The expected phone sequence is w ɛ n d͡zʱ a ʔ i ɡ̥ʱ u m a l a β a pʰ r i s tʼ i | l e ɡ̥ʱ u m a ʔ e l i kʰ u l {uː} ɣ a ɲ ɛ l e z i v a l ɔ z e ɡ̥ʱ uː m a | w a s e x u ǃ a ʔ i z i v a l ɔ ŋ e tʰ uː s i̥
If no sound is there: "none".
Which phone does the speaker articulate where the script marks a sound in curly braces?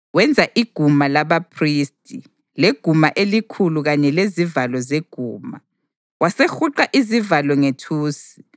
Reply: u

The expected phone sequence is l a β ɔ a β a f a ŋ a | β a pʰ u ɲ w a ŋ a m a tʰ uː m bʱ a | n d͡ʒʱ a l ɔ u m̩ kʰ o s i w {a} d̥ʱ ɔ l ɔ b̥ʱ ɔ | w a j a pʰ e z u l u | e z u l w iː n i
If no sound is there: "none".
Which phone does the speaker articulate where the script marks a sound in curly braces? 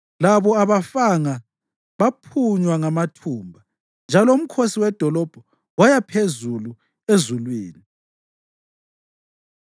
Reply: ɛ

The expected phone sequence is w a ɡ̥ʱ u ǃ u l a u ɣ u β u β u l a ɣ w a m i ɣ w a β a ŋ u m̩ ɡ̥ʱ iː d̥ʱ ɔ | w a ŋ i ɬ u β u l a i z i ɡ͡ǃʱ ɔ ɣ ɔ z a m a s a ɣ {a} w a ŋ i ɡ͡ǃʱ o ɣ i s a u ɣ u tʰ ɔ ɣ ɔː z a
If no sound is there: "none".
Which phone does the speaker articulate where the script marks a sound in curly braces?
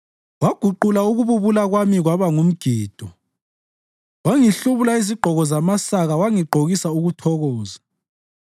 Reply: a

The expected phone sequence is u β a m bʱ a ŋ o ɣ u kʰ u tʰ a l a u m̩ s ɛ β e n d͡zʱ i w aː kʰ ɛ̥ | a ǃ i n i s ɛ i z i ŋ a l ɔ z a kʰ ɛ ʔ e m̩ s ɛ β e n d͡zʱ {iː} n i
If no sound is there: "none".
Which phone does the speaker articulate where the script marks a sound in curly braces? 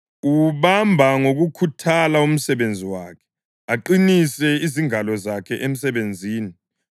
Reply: iː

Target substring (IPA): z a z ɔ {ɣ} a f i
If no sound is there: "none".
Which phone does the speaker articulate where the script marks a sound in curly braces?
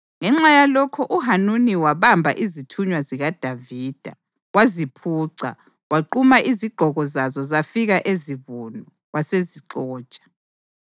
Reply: z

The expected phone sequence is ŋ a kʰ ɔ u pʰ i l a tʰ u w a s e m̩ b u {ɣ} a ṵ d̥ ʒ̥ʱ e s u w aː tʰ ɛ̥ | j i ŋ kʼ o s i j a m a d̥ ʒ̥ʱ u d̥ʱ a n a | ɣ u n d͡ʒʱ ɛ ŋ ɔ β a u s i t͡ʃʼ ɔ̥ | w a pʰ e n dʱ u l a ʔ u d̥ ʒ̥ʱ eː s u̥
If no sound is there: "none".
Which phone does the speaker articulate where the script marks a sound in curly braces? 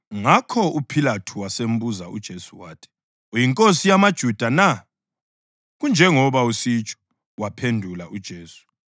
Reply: z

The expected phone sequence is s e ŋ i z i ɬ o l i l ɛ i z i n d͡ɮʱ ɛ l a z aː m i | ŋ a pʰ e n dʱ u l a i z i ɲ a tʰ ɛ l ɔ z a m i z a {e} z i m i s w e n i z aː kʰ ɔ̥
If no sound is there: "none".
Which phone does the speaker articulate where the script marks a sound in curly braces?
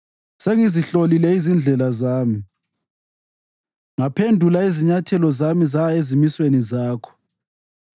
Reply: e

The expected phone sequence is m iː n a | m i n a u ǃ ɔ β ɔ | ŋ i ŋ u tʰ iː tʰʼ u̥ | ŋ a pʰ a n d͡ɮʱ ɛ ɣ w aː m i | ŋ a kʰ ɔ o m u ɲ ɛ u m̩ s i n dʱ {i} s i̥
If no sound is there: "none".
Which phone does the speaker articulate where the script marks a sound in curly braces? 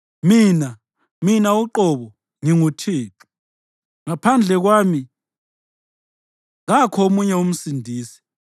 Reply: iː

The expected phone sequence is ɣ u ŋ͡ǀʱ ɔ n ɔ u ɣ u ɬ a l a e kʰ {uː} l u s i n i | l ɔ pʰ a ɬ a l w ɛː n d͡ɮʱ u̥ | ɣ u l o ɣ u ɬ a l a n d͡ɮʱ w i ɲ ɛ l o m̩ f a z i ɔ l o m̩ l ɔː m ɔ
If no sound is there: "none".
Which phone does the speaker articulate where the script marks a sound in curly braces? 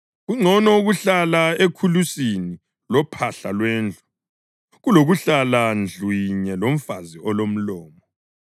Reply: u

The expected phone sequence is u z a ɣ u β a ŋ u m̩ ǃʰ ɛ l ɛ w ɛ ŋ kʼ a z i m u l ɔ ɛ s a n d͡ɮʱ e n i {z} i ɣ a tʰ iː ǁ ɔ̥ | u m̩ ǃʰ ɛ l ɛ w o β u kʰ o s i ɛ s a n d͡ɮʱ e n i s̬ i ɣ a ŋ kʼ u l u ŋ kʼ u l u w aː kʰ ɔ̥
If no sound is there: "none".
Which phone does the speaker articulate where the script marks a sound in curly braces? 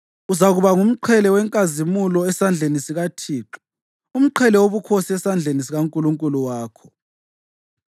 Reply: s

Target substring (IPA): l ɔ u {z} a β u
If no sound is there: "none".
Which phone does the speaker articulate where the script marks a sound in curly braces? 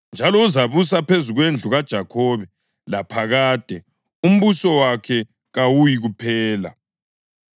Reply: z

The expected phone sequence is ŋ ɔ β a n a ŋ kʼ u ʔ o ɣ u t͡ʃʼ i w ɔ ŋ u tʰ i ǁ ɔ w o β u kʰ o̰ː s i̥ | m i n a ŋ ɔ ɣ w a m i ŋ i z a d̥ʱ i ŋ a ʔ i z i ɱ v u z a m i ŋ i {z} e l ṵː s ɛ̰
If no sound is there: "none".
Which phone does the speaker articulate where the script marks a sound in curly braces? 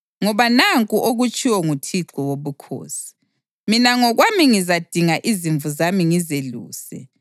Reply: z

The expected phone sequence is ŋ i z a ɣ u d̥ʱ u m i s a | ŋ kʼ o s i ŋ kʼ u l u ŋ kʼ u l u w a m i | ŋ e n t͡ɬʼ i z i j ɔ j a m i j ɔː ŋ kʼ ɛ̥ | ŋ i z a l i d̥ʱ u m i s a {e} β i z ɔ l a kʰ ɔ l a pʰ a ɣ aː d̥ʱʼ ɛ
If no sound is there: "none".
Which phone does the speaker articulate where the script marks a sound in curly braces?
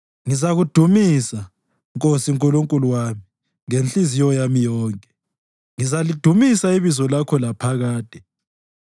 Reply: i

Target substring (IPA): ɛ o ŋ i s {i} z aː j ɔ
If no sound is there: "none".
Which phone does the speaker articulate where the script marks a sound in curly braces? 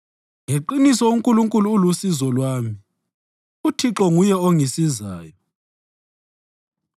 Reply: i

